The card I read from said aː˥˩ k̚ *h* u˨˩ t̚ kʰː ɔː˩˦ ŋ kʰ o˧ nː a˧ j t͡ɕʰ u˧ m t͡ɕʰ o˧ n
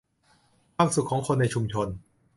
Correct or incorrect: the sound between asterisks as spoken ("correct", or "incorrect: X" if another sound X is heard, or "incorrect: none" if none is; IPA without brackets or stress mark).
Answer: incorrect: s